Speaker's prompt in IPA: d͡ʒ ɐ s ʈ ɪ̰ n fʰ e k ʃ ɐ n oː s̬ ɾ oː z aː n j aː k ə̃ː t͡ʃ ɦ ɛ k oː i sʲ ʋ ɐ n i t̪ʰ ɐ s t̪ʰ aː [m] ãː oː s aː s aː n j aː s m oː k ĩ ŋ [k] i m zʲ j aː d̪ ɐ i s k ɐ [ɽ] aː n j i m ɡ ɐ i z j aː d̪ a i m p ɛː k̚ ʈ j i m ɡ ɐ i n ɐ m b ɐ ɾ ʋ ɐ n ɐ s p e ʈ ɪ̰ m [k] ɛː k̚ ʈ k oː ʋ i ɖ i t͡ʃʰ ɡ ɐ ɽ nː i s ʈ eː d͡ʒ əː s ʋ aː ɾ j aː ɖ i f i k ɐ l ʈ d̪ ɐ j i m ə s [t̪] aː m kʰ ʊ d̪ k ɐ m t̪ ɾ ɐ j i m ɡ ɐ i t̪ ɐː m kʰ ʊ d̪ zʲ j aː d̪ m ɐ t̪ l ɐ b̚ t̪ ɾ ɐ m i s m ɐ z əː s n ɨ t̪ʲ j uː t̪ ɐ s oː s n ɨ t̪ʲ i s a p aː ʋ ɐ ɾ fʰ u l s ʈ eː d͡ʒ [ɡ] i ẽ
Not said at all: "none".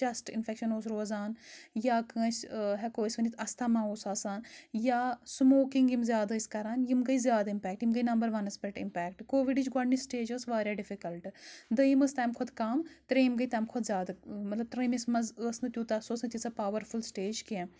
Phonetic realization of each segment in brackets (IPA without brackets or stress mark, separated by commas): m, ɡ, ɾ, p, t̪, k